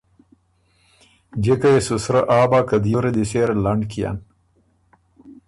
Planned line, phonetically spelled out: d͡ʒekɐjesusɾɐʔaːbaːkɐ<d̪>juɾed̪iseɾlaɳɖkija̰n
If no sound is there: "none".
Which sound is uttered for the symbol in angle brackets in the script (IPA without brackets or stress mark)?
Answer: d̪